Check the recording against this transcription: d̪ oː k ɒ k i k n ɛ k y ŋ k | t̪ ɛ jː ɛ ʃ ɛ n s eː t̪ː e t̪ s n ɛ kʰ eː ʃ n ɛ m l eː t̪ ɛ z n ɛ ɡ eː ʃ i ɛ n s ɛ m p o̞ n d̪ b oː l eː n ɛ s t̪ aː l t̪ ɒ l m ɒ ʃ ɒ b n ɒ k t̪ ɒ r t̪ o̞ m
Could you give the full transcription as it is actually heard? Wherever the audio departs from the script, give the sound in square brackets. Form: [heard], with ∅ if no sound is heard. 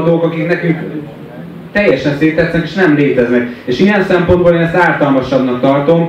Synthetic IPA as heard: d̪ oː k ɒ k i k n ɛ k y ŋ k | t̪ ɛ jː ɛ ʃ ɛ n s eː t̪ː [ɛ] t̪ s n ɛ [k] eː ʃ n ɛ m l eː t̪ ɛ z n ɛ [k] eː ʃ i ɛ n s ɛ m p o̞ n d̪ b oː l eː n ɛ s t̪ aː l t̪ ɒ l m ɒ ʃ ɒ b n ɒ k t̪ ɒ r t̪ o̞ m